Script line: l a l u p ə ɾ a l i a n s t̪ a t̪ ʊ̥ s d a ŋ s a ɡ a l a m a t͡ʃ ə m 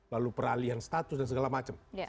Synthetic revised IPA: l a l u p ə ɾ a l i a n s t̪ a t̪ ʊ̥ s d a n s ə ɡ a l a m a t͡ʃ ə m